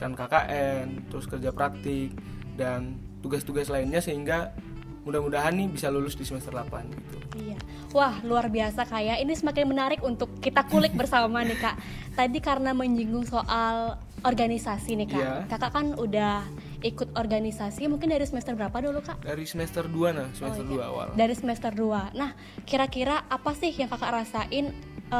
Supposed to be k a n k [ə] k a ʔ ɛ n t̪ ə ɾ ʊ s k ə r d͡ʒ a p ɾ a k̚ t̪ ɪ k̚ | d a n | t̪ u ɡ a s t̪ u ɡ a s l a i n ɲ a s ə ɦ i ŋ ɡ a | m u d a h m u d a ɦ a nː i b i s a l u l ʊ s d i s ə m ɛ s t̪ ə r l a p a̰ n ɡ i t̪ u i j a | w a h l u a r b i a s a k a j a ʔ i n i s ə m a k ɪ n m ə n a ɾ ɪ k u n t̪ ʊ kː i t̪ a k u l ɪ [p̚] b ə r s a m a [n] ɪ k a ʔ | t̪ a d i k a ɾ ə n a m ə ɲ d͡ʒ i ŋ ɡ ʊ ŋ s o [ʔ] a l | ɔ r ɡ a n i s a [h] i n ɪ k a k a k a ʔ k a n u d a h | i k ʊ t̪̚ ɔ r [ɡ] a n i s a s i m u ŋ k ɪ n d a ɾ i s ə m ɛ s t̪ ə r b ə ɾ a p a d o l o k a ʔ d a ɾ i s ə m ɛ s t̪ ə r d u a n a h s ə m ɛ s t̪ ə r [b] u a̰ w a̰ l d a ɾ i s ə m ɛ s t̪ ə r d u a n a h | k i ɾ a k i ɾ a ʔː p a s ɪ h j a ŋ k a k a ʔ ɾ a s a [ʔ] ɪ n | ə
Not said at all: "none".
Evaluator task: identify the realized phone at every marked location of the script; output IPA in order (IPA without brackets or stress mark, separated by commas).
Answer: a, k̚, n, ʔ, s, ɡ, d, ʔ